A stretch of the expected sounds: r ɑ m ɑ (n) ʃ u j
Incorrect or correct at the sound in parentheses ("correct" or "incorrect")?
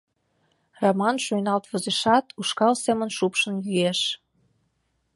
correct